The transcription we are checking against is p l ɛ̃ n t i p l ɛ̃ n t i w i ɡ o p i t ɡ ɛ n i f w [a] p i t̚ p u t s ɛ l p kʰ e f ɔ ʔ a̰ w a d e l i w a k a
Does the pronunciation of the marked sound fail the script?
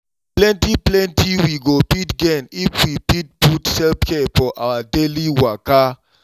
yes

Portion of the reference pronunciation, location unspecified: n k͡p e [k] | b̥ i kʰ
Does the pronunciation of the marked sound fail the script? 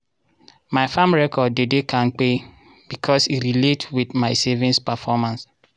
yes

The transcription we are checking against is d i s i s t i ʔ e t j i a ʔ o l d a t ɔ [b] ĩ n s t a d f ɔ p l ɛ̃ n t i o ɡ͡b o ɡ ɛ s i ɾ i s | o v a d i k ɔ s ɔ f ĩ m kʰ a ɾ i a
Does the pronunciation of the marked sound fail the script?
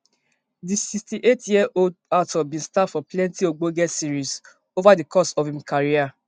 no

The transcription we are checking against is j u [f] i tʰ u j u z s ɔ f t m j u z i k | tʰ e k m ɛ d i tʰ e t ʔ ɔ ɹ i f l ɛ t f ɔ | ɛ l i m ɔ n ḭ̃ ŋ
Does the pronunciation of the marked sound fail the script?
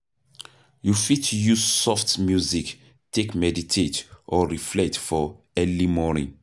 no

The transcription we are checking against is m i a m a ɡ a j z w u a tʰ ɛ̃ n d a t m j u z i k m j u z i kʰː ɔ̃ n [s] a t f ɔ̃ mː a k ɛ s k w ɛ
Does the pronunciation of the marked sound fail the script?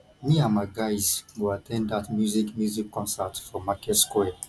no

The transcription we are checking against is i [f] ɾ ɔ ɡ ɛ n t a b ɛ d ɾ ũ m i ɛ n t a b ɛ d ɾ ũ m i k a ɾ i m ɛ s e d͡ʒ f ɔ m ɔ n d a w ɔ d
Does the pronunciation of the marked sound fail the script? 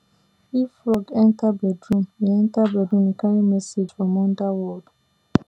no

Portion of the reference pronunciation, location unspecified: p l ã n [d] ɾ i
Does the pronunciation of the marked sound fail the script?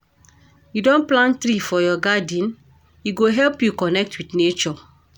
yes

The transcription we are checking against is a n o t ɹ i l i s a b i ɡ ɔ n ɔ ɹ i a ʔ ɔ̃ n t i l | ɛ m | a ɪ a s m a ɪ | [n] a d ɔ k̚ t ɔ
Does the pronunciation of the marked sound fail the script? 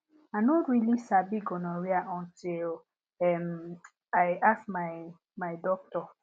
yes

